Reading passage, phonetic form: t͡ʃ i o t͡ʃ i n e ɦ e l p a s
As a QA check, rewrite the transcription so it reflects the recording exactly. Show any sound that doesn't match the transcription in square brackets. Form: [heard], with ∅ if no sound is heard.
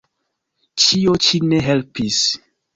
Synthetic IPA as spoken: t͡ʃ i o t͡ʃ i n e ɦ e l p [i] s

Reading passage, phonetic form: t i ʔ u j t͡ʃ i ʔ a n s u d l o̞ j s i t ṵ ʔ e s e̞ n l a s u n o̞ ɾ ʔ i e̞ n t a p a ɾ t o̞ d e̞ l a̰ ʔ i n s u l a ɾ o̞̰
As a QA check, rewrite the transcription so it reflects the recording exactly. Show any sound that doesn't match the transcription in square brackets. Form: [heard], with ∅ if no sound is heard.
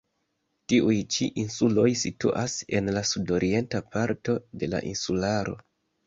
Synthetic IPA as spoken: t i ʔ u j t͡ʃ i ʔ [i] n s u [∅] l o̞ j s i t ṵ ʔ [a] s e̞ n l a s u [d] o̞ ɾ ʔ i e̞ n t a p a ɾ t o̞ d e̞ l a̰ ʔ i n s u l a ɾ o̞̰

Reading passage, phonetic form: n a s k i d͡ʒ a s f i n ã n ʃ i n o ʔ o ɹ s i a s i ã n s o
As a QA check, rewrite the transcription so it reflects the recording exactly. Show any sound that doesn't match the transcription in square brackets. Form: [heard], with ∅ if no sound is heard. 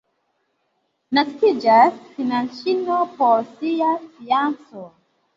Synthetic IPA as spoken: n a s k i d͡ʒ a s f i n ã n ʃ i n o [p] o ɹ s i a s i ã n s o

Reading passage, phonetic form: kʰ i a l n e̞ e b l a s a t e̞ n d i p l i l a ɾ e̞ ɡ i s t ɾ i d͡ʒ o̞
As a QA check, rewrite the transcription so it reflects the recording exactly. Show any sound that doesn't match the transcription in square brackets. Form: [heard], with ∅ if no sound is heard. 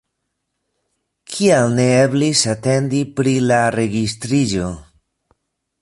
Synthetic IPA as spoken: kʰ i a l n e̞ e b l [i] s a t e̞ n d i p [ɾ] i l a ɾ e̞ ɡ i s t ɾ i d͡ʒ o̞

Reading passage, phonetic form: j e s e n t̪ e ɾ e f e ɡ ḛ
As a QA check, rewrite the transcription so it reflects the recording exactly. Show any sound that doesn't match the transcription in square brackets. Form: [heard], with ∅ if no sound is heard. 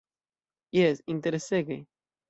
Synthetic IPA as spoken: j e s [i] n t̪ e ɾ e [s] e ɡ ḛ

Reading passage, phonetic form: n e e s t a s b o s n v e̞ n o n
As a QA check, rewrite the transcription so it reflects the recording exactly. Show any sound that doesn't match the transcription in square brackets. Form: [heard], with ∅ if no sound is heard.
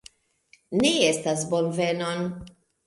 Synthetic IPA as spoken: n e e s t a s b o [∅] n v e̞ n o n

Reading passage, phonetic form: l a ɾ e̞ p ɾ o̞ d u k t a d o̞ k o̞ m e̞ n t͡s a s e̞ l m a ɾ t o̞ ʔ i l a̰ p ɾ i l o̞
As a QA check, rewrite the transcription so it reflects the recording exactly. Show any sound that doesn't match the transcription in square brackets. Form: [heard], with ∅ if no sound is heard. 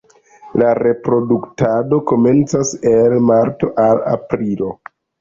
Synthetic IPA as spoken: l a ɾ e̞ p ɾ o̞ d u k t a d o̞ k o̞ m e̞ n t͡s a s e̞ l m a ɾ t o̞ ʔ [a] l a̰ p ɾ i l o̞

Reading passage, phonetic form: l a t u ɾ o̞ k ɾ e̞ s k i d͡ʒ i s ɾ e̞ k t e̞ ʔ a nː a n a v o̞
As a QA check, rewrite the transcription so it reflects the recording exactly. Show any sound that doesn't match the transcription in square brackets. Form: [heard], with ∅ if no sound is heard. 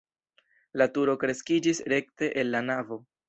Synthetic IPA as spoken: l a t u ɾ o̞ k ɾ e̞ s k i d͡ʒ i s ɾ e̞ k t e̞ ʔ [e] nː a n a v o̞

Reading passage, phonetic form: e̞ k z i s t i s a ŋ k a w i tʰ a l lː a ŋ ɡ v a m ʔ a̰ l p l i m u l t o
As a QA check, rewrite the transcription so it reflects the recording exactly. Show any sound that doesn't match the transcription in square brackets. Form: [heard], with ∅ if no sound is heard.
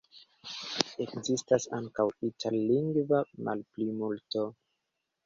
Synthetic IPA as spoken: e̞ k z i s t [a] s a ŋ k a w i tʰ a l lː [i] ŋ ɡ v a m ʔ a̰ l p l i m u l t o

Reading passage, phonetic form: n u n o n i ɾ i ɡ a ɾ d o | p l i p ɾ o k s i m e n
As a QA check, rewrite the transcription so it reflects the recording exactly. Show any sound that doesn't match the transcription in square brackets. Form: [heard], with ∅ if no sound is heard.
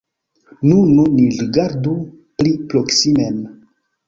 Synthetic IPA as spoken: n u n [u] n i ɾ i ɡ a ɾ d [u] | p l i p ɾ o k s i m e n

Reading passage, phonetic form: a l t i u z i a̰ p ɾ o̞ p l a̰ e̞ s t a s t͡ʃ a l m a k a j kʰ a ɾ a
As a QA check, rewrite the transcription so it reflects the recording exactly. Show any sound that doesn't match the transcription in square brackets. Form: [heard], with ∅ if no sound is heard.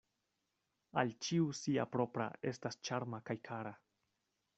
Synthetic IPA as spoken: a l [t͡ʃ] i u [s] i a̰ p ɾ o̞ p [ɾ] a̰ e̞ s t a s t͡ʃ a [ɾ] m a k a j kʰ a ɾ a

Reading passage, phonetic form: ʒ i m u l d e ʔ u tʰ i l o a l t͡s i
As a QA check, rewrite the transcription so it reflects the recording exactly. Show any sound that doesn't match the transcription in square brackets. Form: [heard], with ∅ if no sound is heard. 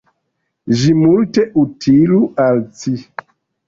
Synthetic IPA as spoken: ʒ i m u l [t] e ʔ u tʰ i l [u] a l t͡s i

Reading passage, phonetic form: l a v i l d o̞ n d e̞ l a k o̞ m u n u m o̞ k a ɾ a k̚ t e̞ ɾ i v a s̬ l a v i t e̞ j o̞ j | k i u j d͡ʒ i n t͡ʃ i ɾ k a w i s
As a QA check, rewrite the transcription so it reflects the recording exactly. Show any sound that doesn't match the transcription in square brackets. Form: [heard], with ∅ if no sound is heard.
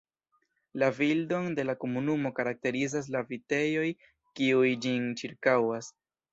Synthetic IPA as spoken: l a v i l d o̞ n d e̞ l a k o̞ m u n u m o̞ k a ɾ a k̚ t e̞ ɾ i [z] a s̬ l a v i t e̞ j o̞ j | k i u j d͡ʒ i n t͡ʃ i ɾ k a w [a] s

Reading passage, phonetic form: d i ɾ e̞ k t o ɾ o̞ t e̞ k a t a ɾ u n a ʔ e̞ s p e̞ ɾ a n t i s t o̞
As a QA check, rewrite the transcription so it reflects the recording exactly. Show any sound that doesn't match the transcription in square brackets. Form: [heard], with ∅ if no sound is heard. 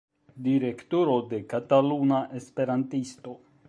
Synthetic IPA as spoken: d i ɾ e̞ k t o ɾ o̞ [d] e̞ k a t a [l] u n a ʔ e̞ s p e̞ ɾ a n t i s t o̞

